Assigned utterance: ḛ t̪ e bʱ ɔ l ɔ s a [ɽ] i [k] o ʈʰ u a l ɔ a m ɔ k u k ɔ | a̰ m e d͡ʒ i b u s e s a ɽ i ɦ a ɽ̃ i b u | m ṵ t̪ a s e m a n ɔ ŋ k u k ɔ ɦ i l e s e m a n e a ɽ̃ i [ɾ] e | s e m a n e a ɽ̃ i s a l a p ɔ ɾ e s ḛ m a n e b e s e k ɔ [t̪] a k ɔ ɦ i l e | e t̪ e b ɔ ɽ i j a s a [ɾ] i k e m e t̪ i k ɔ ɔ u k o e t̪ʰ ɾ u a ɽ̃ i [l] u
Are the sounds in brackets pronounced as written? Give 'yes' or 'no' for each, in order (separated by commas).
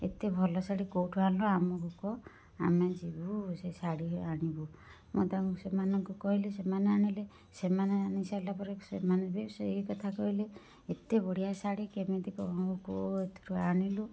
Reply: yes, yes, no, no, no, yes